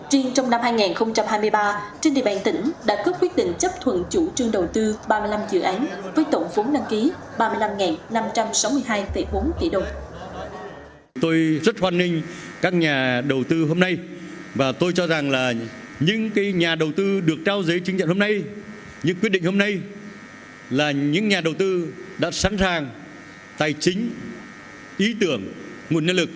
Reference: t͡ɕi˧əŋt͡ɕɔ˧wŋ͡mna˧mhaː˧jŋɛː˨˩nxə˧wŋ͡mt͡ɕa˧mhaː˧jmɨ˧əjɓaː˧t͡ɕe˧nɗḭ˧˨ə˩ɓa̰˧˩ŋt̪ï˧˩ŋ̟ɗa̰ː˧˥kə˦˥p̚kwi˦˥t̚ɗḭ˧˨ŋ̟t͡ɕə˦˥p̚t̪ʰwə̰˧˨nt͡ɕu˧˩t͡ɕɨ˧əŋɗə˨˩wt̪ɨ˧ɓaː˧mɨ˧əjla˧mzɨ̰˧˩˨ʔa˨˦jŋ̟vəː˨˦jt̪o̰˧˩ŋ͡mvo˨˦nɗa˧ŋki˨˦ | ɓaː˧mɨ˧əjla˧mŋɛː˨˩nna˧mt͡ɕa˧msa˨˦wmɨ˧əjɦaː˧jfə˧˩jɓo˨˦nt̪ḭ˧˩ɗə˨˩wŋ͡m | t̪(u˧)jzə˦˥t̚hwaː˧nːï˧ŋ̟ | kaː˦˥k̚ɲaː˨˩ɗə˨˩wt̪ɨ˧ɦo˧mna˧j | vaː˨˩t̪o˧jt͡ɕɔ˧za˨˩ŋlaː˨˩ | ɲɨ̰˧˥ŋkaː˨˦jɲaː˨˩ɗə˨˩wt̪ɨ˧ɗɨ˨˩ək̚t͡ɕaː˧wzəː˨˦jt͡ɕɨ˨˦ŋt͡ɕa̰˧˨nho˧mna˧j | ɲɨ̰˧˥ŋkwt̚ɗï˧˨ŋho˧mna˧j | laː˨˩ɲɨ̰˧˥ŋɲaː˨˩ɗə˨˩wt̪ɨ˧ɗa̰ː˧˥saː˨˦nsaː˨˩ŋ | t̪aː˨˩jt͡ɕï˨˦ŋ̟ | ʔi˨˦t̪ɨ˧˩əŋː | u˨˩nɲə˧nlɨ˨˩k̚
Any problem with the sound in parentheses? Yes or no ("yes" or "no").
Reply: yes